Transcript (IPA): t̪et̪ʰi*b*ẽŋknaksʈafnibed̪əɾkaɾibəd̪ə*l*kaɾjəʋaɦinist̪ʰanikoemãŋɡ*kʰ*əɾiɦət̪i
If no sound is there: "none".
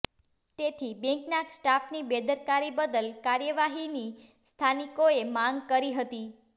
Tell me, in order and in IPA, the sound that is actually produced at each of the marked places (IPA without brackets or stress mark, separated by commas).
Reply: b, l, k